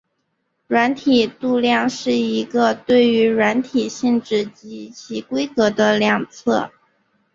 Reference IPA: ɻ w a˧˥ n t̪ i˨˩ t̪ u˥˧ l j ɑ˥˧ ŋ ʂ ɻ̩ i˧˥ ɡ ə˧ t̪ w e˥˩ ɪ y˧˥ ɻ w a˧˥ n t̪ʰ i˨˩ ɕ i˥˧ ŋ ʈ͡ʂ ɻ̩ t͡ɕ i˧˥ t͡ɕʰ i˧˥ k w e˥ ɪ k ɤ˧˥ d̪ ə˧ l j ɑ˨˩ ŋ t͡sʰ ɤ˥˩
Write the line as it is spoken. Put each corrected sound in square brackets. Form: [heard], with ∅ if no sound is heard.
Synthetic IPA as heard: ɻ w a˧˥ n [t̪ʰ] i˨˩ t̪ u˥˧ l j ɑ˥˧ ŋ ʂ ɻ̩ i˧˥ ɡ ə˧ t̪ w e˥˩ ɪ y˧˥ ɻ w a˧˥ n t̪ʰ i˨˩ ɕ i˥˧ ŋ ʈ͡ʂ ɻ̩ t͡ɕ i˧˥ t͡ɕʰ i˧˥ k w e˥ ɪ k ɤ˧˥ d̪ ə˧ l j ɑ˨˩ ŋ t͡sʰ ɤ˥˩